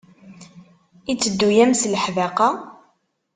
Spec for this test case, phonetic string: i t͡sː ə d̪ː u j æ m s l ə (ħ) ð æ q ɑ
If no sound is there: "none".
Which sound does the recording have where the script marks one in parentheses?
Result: ħ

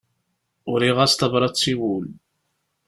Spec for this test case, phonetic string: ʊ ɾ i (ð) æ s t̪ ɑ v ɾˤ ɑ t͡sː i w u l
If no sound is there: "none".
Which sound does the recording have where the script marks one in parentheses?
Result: ʁ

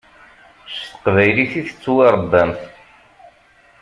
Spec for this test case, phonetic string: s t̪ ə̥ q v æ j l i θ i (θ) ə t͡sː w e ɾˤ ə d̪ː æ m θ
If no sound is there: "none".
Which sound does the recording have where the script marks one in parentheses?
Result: θ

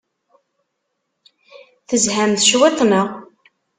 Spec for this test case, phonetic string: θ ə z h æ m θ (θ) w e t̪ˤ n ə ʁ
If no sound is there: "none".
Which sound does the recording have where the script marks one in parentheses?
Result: ʃ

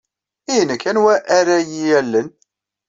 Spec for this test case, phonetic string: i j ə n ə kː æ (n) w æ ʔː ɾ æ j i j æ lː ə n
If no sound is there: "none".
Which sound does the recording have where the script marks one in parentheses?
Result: n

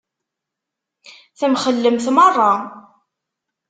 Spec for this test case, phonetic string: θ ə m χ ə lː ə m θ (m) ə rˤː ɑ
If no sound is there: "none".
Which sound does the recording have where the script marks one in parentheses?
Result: m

